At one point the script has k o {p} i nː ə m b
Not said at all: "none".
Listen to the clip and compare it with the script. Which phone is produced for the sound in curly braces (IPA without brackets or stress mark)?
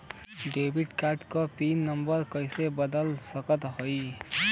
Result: p